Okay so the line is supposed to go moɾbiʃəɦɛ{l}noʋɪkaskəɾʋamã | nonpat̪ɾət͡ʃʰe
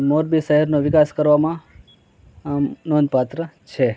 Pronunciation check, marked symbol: incorrect: ɾ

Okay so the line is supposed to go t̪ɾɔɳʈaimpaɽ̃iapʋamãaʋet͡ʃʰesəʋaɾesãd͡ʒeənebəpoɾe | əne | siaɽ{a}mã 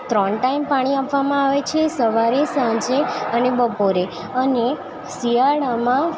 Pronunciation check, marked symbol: correct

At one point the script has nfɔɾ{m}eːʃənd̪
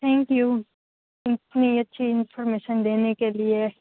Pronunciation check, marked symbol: correct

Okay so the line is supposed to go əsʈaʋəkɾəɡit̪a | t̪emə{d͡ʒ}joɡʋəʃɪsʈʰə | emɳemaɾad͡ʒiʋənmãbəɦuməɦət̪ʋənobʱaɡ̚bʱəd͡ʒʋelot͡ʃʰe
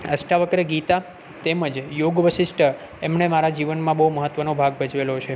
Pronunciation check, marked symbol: correct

